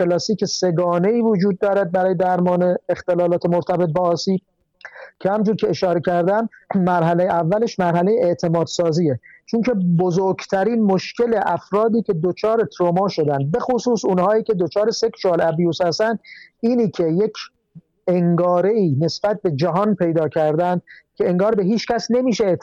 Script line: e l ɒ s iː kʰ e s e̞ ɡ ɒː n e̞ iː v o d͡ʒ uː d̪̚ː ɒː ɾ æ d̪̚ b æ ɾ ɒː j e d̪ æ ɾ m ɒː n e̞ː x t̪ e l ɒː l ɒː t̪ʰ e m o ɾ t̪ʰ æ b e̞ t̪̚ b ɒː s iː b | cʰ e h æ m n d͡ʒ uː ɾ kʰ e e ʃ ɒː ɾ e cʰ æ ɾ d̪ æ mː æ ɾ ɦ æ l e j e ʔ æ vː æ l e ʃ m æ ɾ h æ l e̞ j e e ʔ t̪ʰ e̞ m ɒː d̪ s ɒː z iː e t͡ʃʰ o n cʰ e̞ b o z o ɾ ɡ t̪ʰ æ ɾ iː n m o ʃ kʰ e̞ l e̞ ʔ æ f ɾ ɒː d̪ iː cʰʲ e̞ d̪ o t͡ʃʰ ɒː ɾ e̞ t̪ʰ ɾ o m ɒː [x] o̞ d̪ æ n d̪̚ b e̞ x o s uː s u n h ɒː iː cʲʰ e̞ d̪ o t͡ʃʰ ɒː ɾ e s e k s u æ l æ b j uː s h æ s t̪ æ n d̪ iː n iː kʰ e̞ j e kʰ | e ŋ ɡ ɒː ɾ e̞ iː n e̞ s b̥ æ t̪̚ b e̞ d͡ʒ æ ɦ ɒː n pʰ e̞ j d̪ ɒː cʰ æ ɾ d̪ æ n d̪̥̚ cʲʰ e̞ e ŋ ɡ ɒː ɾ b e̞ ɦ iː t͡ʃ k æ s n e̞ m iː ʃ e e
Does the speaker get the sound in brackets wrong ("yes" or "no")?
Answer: yes